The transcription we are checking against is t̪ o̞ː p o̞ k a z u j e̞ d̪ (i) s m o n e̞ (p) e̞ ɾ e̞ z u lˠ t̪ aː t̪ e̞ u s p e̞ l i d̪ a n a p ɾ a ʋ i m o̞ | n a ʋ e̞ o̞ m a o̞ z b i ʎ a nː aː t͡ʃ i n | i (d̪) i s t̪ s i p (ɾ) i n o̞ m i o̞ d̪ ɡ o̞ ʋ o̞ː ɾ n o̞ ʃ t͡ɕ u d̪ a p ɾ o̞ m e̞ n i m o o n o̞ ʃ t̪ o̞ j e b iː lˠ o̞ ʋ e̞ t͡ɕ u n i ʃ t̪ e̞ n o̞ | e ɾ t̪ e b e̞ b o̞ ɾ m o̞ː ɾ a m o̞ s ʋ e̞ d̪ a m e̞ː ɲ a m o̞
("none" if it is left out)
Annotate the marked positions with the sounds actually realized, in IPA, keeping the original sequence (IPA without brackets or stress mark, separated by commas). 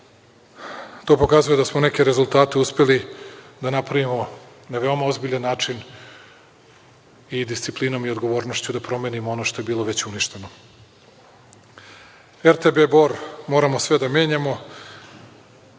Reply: a, k, d̪, l